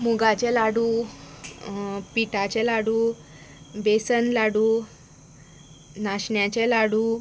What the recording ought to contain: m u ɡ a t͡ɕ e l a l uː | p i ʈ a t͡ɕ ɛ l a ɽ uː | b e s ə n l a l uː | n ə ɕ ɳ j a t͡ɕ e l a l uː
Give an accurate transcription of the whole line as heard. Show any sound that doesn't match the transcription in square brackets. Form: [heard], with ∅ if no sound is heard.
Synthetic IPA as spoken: m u ɡ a t͡ɕ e l a [ɽ] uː | p i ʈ a t͡ɕ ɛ l a ɽ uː | b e s ə n l a [ɽ] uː | n [a] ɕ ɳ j a t͡ɕ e l a [ɽ] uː